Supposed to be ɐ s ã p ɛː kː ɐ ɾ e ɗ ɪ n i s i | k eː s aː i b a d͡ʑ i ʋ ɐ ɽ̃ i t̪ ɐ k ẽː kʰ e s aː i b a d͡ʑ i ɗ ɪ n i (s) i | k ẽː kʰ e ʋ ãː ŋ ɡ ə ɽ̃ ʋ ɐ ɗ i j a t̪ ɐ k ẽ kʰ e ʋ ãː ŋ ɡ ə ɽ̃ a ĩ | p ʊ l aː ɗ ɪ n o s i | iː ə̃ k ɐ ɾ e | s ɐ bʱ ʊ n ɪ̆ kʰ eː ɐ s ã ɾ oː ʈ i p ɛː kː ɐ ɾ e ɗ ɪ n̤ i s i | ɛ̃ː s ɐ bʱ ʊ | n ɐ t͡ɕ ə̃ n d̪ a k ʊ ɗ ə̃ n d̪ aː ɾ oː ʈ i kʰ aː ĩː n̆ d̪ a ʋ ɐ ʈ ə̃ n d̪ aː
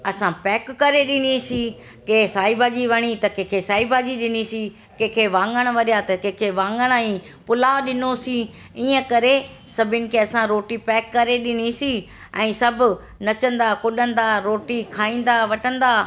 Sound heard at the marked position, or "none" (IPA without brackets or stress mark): s